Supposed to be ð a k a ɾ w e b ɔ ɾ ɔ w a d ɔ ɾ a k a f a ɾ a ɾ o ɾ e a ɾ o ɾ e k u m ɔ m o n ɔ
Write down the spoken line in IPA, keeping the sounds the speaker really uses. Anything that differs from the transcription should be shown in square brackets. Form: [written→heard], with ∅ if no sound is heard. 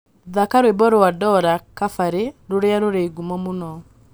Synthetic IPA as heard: ð a k a ɾ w e b ɔ ɾ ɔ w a d ɔ ɾ a k a f a ɾ [a→e] ɾ o ɾ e a ɾ o ɾ e [k→ɡ] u m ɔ m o n ɔ